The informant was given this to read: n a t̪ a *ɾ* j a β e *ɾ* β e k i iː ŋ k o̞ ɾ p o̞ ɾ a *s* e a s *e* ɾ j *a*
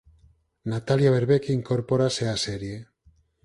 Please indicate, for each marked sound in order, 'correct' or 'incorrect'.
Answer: incorrect: l, correct, correct, correct, incorrect: e

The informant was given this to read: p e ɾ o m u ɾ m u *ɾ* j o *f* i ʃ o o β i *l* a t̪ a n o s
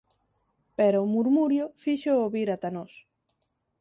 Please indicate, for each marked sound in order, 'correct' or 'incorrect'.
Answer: correct, correct, incorrect: ɾ

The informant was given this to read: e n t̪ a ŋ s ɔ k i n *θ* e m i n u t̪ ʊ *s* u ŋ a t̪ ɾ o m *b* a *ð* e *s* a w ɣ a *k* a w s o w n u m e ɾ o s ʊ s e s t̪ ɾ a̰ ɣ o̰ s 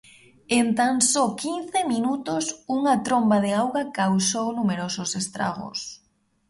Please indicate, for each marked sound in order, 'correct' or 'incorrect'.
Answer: correct, correct, correct, correct, incorrect: none, correct

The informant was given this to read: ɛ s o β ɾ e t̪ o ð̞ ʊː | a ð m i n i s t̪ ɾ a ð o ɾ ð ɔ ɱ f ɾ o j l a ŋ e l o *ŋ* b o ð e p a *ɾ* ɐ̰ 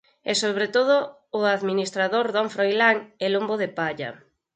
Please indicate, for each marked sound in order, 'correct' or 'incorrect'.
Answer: incorrect: m, incorrect: ʎ

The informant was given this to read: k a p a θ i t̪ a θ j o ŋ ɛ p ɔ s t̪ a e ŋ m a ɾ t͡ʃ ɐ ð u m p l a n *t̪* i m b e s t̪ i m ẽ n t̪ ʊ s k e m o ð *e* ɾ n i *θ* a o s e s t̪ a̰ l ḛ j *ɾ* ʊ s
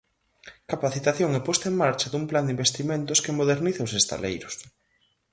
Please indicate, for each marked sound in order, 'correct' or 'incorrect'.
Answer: incorrect: d̪, correct, correct, correct

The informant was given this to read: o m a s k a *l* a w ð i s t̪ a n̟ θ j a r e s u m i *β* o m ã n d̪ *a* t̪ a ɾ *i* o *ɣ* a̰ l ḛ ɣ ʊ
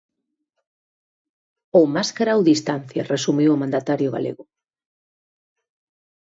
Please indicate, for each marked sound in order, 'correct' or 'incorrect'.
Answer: incorrect: ɾ, incorrect: w, correct, incorrect: j, correct

